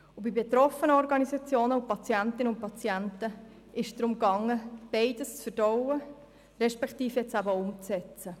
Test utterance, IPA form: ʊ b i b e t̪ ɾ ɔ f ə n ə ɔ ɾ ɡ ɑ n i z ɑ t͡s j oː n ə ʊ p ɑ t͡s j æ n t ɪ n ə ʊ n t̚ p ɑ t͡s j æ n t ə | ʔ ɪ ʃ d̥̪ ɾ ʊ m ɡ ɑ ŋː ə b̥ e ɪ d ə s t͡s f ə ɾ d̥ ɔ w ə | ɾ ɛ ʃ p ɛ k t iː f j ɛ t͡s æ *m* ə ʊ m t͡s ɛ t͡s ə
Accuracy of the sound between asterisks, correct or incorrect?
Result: incorrect